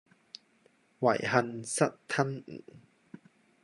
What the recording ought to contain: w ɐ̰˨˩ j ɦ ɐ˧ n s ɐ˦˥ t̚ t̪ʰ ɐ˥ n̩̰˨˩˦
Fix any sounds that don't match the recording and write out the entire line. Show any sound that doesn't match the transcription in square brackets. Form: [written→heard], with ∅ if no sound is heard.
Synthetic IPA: w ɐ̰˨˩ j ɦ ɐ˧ n s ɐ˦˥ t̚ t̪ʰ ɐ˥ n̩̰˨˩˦